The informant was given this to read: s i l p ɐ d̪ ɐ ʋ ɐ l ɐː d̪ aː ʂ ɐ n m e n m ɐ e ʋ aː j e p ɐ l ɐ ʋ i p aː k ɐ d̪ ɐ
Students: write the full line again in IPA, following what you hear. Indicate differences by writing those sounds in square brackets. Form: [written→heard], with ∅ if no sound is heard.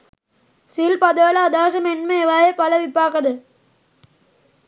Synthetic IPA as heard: s i l p ɐ d̪ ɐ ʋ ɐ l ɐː d̪ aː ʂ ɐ [n→∅] m e n m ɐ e ʋ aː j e p ɐ l ɐ ʋ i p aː k ɐ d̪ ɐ